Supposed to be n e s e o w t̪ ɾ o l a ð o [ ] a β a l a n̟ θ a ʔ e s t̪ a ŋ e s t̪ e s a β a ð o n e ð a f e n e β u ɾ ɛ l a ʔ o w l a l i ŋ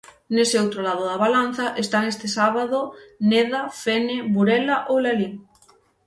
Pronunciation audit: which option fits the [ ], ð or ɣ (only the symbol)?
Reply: ð